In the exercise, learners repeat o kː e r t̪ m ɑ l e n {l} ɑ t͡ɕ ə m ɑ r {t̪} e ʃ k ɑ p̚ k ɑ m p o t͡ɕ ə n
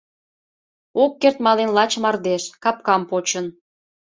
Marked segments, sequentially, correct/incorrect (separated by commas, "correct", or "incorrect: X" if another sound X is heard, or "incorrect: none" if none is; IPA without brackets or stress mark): correct, incorrect: d̪